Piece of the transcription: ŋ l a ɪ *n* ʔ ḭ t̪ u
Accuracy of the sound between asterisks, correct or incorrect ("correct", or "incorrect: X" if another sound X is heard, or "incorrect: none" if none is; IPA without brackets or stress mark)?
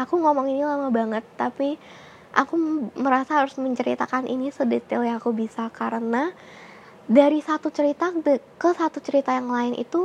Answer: correct